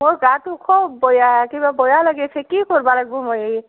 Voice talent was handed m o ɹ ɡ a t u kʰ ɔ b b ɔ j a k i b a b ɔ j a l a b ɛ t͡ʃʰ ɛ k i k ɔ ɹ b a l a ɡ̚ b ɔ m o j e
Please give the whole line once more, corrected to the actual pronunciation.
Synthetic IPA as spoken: m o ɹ ɡ a t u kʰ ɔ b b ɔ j a k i b a b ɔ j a l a ɡ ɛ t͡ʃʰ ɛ k i k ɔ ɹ b a l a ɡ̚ b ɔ m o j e